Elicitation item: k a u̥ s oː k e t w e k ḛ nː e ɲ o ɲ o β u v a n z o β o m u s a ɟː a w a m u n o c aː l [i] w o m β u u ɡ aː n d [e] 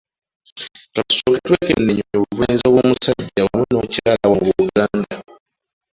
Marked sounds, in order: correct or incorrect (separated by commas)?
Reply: incorrect, incorrect